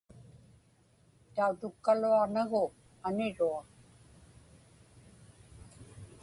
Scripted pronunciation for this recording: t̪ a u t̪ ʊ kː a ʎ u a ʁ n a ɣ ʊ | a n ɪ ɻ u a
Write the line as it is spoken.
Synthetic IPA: t̪ a u t̪ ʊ kː a l u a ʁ n a ɣ ʊ | a n ɪ ɻ u a